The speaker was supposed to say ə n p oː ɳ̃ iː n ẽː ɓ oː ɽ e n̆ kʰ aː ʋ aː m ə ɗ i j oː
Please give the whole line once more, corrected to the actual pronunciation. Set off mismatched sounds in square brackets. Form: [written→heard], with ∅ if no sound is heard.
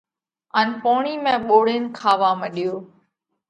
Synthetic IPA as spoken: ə n p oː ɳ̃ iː [n→m] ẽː ɓ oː ɽ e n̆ kʰ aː ʋ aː m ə ɗ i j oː